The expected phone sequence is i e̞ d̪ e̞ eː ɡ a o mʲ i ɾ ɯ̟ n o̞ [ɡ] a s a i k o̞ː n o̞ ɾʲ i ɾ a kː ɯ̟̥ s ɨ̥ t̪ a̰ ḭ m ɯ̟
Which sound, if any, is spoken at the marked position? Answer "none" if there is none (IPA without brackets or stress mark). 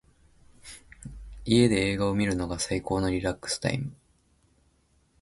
ɡ